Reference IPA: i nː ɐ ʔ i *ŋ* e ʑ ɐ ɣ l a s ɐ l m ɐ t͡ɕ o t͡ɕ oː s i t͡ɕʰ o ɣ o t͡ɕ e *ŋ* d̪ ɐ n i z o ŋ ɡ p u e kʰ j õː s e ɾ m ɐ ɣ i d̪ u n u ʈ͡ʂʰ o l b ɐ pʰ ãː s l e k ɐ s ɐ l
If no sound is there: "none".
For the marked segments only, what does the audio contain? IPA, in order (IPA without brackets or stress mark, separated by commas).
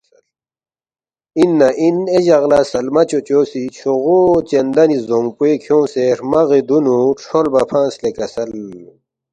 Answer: n, n